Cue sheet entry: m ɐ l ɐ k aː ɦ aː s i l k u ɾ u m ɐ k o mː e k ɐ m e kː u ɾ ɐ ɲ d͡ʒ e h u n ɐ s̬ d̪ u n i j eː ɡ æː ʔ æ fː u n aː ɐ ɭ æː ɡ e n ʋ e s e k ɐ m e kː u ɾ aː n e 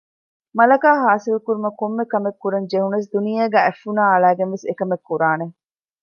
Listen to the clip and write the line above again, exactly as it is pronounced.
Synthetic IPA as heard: m ɐ l ɐ k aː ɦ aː s i l k u ɾ u m ɐ k o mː e k ɐ m e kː u ɾ ɐ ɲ d͡ʒ e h u n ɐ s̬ d̪ u n i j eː ɡ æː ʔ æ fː u n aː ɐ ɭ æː ɡ e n ʋ e s e k ɐ m e kː u ɾ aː n e